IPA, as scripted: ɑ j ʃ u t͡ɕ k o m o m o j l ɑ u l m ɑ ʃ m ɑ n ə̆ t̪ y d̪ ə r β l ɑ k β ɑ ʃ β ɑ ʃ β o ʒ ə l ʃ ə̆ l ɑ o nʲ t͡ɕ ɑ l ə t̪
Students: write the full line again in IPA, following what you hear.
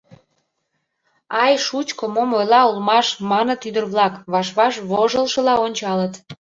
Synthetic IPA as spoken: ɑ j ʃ u t͡ɕ k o m o m o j l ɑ u l m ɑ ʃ m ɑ n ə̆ t̪ y d̪ ə r β l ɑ k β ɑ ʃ β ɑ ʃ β o ʒ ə l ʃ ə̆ l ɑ o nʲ t͡ɕ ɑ l ə t̪